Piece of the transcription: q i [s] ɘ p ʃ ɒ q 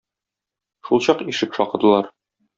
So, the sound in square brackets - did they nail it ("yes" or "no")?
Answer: no